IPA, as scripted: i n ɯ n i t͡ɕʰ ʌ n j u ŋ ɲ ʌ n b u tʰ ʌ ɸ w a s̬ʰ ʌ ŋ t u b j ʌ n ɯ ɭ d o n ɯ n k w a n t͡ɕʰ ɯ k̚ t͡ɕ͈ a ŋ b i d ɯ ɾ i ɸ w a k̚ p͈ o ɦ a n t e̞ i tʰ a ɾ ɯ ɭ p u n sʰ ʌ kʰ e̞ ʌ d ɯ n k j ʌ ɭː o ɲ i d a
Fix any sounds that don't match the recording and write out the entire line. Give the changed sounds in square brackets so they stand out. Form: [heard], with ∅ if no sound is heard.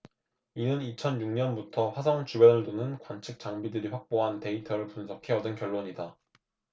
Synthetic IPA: i n ɯ n i t͡ɕʰ ʌ n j u ŋ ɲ ʌ n b u tʰ ʌ ɸ w a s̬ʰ ʌ ŋ [t͡ɕ] u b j ʌ n ɯ ɭ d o n ɯ n k w a n t͡ɕʰ ɯ k̚ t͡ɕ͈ a ŋ b i d ɯ ɾ i ɸ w a k̚ p͈ o ɦ a n t e̞ i tʰ [ʌ] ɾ ɯ ɭ p u n sʰ ʌ kʰ e̞ ʌ d ɯ n k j ʌ ɭː o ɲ i d a